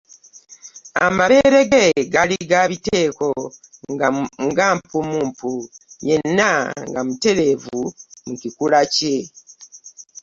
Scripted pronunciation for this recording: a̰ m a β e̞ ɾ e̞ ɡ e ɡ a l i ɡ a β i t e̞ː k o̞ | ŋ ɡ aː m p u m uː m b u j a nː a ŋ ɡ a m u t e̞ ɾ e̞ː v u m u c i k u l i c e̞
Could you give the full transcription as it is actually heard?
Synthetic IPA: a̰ m a β e̞ ɾ e̞ ɡ e ɡ a l i ɡ a β i t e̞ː k o̞ | ŋ ɡ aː m p u m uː m p u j e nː a ŋ ɡ a m u t e̞ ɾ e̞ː v u m u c i k u l a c e̞